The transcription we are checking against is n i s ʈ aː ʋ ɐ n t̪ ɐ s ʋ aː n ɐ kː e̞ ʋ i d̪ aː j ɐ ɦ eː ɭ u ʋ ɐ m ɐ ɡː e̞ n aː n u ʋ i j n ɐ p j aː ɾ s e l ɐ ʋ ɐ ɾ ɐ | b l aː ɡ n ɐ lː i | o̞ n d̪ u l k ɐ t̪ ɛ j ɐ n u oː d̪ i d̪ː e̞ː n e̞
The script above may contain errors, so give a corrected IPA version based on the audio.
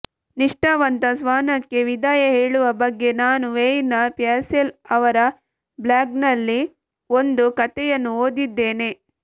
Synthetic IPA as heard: n i ʂ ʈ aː ʋ ɐ n t̪ ɐ s ʋ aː n ɐ kː e̞ ʋ i d̪ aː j ɐ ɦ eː ɭ u ʋ ɐ b ɐ ɡː e̞ n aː n u ʋ e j n ɐ p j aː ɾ s e l ɐ ʋ ɐ ɾ ɐ | b l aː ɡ n ɐ lː i | o̞ n d̪ u k ɐ t̪ ɛ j ɐ nː u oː d̪ i d̪ː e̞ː n e̞